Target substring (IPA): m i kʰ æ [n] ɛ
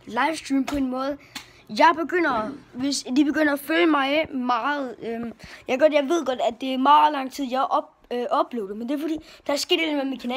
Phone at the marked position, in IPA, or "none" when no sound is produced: n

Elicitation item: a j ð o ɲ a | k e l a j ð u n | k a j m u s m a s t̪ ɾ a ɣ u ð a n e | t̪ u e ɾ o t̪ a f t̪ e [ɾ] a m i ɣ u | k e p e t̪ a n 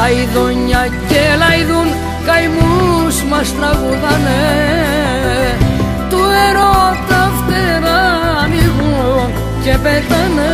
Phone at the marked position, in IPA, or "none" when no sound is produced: ɾ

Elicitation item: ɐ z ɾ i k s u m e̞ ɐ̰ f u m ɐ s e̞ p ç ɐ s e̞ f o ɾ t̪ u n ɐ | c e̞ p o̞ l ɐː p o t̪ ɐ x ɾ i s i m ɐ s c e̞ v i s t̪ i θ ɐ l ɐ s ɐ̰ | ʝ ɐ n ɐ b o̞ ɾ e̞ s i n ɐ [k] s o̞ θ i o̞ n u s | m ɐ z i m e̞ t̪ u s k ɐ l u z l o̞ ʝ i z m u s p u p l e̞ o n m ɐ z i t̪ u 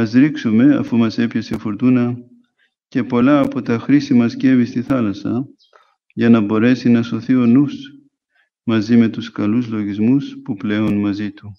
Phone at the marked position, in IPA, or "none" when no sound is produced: none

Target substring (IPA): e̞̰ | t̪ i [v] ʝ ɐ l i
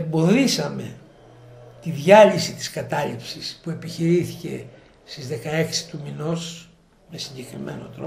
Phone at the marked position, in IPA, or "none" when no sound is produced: ð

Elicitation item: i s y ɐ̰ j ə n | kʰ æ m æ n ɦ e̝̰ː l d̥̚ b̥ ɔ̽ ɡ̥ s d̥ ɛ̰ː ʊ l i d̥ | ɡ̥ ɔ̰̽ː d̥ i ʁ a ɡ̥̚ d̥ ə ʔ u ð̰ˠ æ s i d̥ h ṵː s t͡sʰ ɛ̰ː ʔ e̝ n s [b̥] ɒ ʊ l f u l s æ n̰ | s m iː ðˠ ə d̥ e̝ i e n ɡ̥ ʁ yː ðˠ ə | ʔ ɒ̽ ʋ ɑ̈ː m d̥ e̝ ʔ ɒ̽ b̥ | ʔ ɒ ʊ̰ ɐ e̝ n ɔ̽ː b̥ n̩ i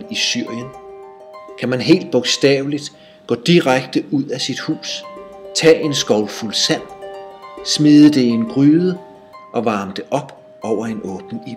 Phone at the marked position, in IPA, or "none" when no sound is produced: ɡ̥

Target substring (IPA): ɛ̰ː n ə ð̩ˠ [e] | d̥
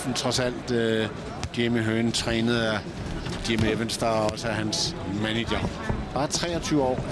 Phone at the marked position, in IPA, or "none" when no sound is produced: æ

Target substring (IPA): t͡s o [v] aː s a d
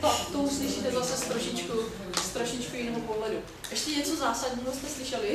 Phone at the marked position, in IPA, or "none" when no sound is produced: z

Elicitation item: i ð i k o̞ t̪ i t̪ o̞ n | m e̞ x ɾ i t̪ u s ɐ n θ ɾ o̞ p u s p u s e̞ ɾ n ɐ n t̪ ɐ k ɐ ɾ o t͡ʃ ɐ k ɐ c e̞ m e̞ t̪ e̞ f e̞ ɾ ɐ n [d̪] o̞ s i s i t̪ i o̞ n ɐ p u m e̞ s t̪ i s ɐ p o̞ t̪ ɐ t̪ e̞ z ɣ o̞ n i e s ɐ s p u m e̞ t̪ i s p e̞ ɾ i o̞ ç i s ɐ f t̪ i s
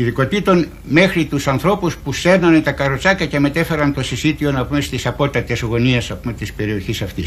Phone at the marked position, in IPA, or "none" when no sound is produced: t̪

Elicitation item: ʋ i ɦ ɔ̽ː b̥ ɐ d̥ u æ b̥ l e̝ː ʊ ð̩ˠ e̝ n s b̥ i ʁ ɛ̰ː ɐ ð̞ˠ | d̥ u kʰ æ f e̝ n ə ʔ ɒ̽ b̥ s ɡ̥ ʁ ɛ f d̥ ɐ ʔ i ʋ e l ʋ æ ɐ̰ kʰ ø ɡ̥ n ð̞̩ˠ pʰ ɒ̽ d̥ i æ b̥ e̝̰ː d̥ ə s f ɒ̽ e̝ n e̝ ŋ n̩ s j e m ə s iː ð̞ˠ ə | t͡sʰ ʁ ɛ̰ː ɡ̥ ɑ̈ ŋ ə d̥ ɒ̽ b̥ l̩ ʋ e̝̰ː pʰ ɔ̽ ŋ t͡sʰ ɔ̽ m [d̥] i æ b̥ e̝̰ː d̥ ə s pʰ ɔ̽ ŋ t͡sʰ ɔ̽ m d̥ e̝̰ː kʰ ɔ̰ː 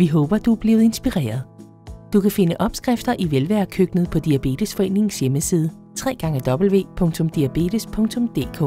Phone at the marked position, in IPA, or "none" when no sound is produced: d̥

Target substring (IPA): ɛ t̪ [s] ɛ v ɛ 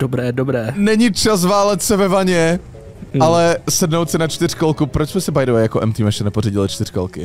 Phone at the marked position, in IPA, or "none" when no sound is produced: s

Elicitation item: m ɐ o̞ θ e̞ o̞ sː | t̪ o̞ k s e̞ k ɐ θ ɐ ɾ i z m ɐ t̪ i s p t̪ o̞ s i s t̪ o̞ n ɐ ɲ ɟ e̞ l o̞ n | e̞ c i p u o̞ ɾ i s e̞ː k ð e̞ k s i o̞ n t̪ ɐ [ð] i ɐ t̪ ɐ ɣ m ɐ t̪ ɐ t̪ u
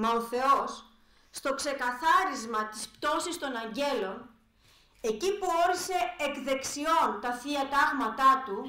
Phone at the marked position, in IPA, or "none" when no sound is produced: θ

